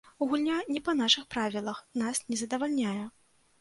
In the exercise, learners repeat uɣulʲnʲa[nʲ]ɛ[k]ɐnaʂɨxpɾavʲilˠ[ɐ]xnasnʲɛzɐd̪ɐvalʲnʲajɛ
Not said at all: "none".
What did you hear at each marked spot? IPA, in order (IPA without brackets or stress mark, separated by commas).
nʲ, p, ɐ